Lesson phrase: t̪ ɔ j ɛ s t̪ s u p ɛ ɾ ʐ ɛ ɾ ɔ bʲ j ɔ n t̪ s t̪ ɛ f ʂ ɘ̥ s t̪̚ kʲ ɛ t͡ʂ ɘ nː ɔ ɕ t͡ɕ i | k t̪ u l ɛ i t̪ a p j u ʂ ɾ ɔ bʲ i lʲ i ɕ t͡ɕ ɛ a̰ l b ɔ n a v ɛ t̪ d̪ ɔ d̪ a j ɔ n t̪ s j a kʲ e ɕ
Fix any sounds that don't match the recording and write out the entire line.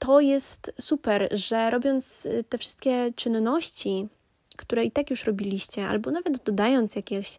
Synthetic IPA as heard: t̪ ɔ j ɛ s t̪ s u p ɛ ɾ ʐ ɛ ɾ ɔ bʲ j ɔ n t̪ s t̪ ɛ f ʂ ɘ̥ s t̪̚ kʲ ɛ t͡ʂ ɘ nː ɔ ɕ t͡ɕ i | k t̪ u ɾ ɛ i t̪ a k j u ʂ ɾ ɔ bʲ i lʲ i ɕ t͡ɕ ɛ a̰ l b ɔ n a v ɛ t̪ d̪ ɔ d̪ a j ɔ n t̪ s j a kʲ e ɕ